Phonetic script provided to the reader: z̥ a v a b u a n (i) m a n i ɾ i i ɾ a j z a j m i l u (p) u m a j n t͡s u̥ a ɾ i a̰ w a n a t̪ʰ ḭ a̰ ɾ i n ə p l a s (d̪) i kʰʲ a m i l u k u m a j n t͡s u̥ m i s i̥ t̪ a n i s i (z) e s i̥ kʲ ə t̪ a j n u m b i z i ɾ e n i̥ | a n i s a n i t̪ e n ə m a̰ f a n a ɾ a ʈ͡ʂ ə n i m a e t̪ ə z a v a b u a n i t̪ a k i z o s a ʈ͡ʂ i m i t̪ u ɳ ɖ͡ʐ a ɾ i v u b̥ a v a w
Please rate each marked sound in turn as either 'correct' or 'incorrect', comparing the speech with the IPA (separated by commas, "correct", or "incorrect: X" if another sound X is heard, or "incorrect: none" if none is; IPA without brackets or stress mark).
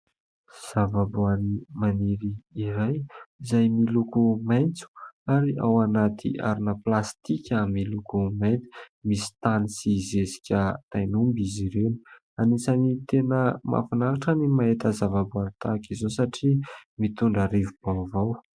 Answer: correct, incorrect: k, incorrect: t̪, correct